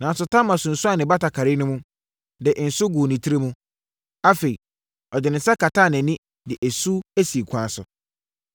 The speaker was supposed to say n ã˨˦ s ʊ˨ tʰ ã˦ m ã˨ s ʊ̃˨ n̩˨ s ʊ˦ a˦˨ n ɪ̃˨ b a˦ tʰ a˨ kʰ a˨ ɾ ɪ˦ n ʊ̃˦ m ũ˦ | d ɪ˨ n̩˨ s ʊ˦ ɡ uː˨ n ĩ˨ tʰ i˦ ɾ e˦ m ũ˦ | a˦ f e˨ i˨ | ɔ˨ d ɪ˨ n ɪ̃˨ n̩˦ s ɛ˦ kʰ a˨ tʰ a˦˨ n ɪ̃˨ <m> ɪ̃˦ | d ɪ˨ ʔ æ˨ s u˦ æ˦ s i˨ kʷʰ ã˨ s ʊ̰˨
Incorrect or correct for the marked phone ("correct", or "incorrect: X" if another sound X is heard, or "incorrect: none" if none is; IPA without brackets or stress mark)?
incorrect: n